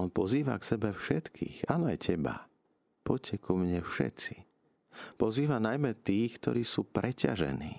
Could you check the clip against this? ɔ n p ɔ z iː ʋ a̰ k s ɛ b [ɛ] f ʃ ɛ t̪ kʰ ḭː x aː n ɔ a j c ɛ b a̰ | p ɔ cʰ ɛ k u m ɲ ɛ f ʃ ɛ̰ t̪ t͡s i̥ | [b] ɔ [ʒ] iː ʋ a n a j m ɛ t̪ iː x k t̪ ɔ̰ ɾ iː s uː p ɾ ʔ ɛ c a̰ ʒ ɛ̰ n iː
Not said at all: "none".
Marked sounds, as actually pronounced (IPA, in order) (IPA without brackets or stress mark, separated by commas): ɛ, p, z